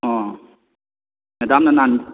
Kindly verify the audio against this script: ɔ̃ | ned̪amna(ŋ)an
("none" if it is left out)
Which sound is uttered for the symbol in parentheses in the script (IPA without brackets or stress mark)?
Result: n